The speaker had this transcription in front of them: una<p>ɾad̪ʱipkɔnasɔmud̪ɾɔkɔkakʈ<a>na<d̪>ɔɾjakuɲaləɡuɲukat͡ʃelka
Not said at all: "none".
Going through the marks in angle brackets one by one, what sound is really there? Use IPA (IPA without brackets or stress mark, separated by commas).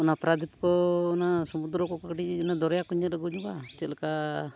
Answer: p, i, d̪